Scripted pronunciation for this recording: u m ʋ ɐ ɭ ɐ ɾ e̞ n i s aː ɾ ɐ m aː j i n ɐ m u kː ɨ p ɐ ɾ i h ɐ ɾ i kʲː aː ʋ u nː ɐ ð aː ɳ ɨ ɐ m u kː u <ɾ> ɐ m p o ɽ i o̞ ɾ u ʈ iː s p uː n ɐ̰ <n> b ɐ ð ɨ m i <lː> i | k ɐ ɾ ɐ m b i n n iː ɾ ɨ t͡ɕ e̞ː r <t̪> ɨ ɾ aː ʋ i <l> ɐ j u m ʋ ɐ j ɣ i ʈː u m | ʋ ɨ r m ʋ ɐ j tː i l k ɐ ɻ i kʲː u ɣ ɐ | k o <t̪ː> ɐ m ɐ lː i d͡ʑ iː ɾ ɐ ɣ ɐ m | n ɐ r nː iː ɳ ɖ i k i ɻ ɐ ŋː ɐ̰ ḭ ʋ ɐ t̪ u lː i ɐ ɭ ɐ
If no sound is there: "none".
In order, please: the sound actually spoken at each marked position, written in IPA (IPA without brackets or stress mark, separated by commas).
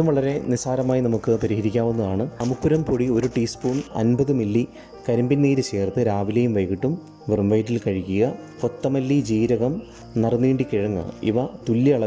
ɾ, n, lː, t̪, l, t̪ː